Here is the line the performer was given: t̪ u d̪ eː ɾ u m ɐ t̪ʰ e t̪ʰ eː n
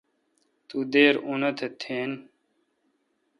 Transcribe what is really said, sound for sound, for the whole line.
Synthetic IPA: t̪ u d̪ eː ɾ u n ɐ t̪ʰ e t̪ʰ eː n